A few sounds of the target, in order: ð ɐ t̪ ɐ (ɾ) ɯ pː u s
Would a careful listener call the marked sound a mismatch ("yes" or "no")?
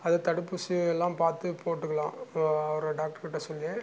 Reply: yes